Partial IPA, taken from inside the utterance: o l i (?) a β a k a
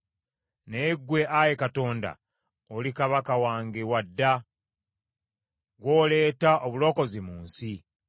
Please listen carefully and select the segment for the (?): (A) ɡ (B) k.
B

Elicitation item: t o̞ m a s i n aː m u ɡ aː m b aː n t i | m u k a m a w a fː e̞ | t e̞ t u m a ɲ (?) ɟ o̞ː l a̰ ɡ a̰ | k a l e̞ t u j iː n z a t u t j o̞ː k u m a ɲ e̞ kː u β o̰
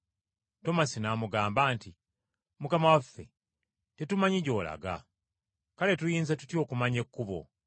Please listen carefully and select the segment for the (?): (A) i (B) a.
A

